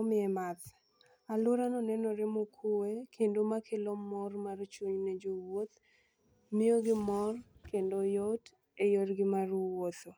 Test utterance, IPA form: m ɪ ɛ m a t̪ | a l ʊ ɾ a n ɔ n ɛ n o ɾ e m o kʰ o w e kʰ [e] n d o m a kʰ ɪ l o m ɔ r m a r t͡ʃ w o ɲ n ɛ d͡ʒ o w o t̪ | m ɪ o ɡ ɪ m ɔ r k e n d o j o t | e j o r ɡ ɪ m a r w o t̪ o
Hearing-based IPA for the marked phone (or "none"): e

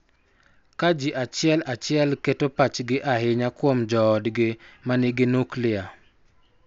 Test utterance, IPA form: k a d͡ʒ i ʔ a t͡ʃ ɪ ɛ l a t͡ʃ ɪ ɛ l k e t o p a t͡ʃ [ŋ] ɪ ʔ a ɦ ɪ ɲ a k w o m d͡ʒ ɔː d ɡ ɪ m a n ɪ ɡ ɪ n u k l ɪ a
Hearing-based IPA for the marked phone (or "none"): ɡ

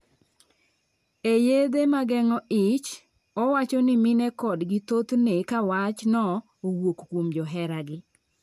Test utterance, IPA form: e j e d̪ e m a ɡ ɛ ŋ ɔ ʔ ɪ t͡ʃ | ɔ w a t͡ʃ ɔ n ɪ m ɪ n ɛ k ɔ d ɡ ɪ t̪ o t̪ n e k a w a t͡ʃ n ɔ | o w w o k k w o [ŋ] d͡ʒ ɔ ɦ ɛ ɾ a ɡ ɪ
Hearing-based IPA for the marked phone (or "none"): m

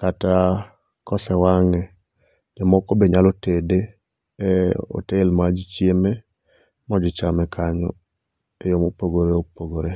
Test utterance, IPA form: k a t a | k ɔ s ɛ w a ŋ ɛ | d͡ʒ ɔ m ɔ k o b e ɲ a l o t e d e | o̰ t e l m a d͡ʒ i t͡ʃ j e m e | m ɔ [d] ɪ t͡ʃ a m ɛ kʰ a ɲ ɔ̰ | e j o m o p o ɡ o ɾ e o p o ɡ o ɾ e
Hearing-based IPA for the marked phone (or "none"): d͡ʒ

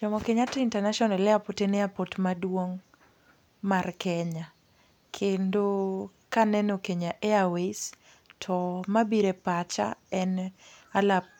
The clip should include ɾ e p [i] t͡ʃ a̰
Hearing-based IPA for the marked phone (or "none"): a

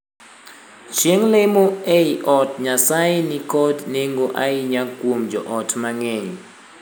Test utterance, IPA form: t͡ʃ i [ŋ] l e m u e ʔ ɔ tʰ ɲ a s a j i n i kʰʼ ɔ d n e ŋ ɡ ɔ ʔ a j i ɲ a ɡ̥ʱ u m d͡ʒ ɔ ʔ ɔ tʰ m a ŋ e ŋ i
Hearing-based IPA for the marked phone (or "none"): ŋ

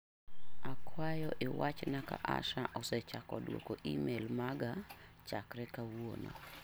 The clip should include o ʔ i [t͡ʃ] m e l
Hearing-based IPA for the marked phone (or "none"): none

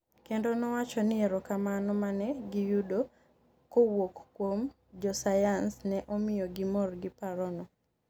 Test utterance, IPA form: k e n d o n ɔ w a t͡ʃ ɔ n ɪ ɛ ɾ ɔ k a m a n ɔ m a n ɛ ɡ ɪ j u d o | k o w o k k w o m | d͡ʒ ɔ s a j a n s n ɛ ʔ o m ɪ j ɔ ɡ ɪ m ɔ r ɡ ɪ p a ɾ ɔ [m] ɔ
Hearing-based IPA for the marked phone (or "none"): n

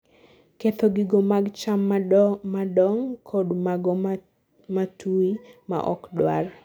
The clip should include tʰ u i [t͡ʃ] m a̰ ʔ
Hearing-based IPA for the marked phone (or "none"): none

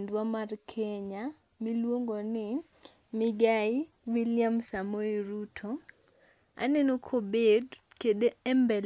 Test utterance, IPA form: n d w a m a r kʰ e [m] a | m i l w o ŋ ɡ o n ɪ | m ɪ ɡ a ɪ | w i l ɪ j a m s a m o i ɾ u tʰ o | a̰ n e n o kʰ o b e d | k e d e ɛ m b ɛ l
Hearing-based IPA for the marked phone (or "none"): ɲ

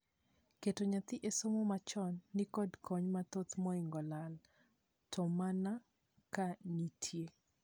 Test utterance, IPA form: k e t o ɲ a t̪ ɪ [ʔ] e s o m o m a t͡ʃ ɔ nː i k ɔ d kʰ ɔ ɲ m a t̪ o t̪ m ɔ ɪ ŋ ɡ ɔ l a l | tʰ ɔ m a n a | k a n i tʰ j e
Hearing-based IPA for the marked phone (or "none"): ʔ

